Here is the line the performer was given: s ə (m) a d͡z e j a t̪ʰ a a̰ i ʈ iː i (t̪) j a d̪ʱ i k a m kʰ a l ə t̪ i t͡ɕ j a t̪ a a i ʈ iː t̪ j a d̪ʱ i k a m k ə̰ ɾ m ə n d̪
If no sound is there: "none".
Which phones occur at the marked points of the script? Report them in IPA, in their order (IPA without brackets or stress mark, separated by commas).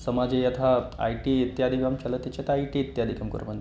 m, t̪